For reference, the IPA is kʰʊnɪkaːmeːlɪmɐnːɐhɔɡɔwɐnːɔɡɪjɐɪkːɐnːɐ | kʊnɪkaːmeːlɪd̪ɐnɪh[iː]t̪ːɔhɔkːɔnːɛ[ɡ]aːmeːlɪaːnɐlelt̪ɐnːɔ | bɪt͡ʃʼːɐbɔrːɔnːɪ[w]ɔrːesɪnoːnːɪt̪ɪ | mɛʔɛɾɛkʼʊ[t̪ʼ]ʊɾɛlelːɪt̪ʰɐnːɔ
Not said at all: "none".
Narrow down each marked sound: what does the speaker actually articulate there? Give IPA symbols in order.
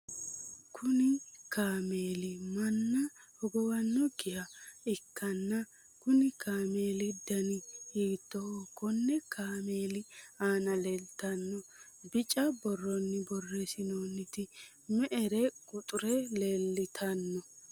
iː, k, b, t̪ʼ

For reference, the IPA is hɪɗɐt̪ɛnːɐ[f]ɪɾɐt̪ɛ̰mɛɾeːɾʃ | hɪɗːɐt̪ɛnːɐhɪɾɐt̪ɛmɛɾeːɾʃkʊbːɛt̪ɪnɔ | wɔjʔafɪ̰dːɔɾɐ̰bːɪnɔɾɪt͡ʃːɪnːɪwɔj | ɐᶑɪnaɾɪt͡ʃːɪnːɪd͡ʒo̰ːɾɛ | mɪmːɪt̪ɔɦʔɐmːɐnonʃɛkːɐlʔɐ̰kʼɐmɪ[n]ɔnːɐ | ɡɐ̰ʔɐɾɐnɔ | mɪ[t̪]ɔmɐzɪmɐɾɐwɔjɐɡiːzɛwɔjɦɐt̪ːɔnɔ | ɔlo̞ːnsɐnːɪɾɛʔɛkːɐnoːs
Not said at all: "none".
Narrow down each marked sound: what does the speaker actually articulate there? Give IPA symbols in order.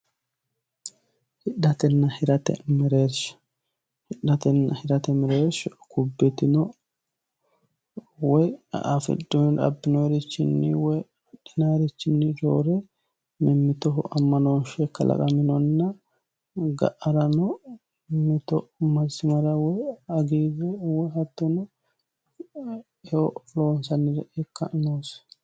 h, n, t̪

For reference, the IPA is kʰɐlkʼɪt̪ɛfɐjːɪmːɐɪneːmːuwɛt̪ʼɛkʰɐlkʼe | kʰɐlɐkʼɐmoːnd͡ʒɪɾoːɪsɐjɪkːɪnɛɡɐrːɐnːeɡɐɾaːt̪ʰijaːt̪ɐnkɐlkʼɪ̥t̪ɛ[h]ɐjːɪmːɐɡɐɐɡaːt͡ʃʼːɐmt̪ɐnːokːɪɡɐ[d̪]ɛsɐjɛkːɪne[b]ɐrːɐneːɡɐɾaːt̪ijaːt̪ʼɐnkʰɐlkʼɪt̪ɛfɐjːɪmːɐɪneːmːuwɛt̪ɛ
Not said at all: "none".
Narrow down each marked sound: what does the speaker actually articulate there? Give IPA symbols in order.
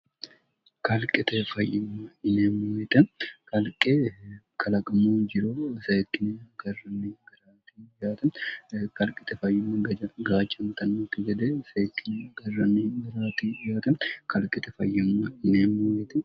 f, d̪, ɡ

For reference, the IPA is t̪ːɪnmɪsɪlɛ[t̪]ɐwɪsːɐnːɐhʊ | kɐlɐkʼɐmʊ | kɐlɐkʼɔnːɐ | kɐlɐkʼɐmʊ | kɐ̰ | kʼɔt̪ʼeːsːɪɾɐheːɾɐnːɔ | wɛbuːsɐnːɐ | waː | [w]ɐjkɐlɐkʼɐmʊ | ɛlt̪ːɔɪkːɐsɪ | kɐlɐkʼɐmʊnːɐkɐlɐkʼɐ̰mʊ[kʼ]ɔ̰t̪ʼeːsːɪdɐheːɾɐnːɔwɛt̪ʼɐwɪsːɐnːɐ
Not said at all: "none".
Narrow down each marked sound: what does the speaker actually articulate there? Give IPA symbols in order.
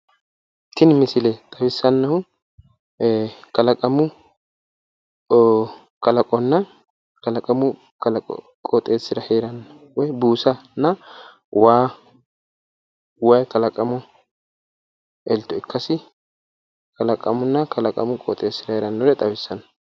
t̪ʼ, w, kʼ

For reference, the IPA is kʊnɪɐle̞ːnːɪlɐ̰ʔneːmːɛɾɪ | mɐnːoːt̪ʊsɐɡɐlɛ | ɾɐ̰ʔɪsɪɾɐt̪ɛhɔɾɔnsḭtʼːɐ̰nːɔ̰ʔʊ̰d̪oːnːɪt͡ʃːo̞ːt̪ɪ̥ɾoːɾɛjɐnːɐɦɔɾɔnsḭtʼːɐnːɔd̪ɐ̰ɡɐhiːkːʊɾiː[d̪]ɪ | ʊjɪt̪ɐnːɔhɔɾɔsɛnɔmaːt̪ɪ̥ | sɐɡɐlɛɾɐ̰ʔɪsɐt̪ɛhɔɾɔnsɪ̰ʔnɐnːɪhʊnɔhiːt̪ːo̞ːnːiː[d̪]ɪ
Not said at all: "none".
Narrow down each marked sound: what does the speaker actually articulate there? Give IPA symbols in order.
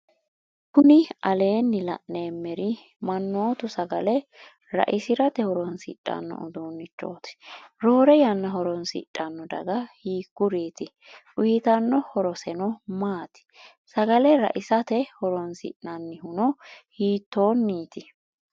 t̪, t̪

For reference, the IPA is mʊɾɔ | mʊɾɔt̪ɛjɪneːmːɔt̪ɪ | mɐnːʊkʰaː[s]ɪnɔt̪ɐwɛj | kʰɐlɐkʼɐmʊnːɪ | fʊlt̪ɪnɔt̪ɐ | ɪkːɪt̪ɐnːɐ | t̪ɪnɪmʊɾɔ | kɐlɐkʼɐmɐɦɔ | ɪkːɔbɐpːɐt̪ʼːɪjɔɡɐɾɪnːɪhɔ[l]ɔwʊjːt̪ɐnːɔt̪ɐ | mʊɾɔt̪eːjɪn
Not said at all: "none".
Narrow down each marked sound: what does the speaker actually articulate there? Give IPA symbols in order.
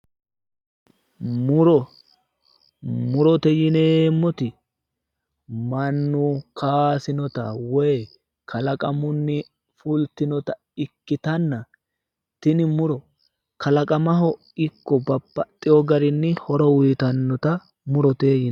s, ɾ

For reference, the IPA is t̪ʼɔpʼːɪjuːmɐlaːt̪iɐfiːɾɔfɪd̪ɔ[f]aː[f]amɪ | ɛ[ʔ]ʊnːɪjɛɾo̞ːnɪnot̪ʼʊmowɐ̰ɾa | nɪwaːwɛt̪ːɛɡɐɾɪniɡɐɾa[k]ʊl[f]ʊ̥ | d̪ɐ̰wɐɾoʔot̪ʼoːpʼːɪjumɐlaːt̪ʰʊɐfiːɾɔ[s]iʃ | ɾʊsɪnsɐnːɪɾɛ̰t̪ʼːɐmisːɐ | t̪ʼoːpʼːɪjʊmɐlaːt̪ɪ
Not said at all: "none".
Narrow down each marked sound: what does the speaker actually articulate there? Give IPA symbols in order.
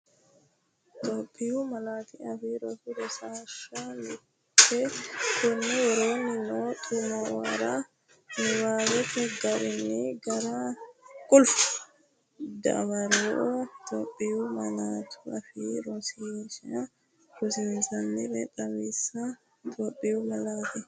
s, ʃ, k, kʼ, f, s

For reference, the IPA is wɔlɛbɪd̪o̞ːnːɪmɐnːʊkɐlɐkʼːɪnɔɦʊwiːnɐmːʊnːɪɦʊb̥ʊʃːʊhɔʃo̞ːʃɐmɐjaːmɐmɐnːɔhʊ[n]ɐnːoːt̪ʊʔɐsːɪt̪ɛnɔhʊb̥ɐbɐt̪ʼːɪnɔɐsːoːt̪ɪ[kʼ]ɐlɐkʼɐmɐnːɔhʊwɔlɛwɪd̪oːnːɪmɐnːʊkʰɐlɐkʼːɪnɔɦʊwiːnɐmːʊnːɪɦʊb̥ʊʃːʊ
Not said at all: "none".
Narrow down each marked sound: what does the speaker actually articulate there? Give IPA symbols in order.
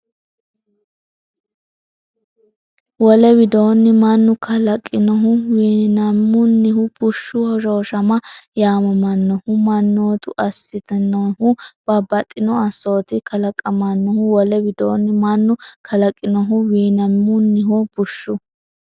m, k

